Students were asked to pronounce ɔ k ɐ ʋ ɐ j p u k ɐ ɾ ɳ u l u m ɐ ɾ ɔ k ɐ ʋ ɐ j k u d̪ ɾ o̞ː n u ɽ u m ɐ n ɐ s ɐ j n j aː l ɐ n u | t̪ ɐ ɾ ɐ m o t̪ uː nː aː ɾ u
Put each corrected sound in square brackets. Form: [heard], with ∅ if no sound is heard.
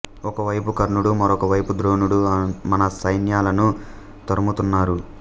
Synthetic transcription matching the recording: ɔ k ɐ ʋ ɐ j p u k ɐ ɾ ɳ u [ɽ] u m ɐ ɾ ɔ k ɐ ʋ ɐ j [p] u d̪ ɾ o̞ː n u ɽ u m ɐ n ɐ s ɐ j n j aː l ɐ n u | t̪ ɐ ɾ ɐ m [u] t̪ [u] nː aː ɾ u